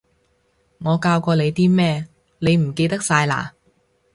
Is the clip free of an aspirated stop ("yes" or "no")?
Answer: yes